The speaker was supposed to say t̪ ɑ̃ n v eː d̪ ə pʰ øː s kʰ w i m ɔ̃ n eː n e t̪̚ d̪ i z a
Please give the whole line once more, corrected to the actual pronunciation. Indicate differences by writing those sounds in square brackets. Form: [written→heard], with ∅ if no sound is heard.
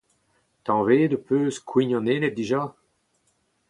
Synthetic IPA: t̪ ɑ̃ [n→∅] v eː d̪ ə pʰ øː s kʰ w i [m→ɲ] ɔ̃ n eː n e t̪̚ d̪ i [z→ʒ] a